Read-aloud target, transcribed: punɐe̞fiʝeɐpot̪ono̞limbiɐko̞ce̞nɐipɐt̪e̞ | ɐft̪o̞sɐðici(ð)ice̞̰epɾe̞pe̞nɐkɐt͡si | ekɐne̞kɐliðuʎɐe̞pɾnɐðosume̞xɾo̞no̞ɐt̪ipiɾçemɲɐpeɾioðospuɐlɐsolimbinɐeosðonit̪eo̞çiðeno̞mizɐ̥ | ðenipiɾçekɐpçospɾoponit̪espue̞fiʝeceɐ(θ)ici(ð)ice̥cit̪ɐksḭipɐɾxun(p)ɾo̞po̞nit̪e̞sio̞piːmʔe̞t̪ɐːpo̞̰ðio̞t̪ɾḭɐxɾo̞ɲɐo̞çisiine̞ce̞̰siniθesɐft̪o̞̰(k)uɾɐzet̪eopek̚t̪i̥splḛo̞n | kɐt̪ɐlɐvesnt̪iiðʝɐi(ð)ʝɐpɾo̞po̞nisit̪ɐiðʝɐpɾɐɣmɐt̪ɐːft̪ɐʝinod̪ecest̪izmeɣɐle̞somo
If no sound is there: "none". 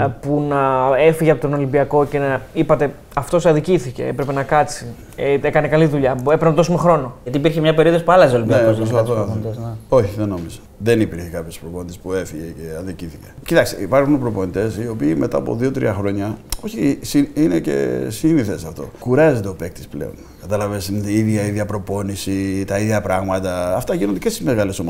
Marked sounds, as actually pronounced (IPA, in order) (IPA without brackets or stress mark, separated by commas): θ, ð, θ, p, k, ð